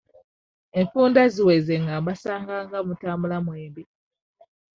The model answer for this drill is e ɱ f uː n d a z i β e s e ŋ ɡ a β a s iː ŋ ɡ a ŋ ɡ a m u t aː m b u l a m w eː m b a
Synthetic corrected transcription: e ɱ f uː n d a z i w e z e ŋ ɡ a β a s aː ŋ ɡ a ŋ ɡ a m u t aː m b u l a m w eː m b i